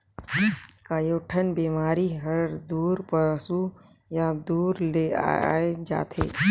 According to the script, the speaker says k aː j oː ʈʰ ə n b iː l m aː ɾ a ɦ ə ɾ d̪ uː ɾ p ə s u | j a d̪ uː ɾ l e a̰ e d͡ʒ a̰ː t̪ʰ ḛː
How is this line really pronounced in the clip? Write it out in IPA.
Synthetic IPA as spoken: k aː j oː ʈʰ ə n b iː m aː ɾ i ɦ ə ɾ d̪ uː ɾ p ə s u | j a d̪ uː ɾ l e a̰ e d͡ʒ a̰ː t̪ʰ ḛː